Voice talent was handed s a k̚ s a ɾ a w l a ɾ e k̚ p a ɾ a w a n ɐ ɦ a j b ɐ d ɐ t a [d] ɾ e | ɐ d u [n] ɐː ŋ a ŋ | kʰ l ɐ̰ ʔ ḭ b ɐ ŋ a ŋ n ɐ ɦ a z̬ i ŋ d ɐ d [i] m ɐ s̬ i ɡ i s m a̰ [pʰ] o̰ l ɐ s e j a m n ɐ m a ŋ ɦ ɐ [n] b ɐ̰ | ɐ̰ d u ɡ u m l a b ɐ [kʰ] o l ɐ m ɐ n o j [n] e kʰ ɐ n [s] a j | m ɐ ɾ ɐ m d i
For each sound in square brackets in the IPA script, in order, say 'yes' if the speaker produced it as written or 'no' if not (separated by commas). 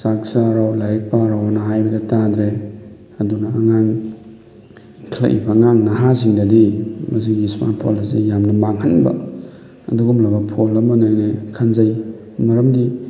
yes, yes, yes, yes, yes, no, yes, no